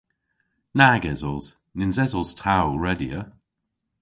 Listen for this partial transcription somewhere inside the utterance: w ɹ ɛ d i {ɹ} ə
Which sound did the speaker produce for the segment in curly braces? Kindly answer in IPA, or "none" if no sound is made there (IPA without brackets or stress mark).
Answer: none